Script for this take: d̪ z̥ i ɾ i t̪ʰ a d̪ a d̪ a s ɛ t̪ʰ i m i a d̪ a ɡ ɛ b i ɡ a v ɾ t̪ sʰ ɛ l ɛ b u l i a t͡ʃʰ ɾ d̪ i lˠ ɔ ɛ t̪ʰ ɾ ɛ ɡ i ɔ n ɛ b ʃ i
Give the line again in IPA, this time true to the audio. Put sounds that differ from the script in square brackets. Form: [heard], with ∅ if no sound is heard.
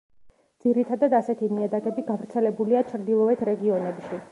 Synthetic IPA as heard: d̪ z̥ i ɾ i t̪ʰ a d̪ a d̪ a s ɛ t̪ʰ i m i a d̪ a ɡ ɛ b i ɡ a v ɾ t̪ sʰ ɛ l ɛ b u l i a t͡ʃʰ ɾ d̪ i lˠ ɔ ɛ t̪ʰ ɾ ɛ ɡ i ɔ n ɛ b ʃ i